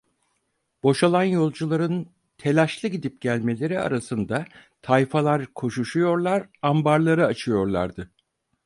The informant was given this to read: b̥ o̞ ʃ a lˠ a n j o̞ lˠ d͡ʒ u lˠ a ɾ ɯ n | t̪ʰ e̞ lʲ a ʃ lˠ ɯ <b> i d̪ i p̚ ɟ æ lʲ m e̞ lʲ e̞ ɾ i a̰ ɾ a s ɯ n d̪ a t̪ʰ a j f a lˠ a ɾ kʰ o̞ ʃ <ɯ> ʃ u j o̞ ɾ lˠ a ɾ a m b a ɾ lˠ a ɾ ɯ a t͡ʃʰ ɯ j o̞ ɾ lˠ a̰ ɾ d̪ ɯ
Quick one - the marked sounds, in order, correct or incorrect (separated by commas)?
incorrect, incorrect